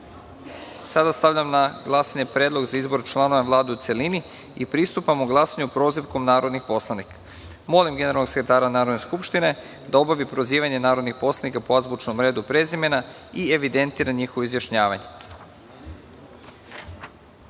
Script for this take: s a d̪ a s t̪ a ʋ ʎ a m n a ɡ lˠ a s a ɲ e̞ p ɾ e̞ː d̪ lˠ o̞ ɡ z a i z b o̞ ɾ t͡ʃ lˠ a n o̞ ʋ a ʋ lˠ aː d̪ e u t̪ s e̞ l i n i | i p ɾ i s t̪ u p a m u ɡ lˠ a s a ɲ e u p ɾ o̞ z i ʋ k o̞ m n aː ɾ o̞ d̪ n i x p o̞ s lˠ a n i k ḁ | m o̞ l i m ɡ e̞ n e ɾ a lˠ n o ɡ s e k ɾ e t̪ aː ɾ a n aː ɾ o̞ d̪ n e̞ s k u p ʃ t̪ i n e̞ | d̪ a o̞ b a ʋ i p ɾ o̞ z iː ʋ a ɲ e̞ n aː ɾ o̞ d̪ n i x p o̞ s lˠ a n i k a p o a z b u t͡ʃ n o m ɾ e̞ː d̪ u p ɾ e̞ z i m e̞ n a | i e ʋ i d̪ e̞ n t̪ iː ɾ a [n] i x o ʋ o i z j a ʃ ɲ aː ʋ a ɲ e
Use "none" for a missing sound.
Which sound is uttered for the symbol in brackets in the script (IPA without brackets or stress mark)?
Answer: ɲ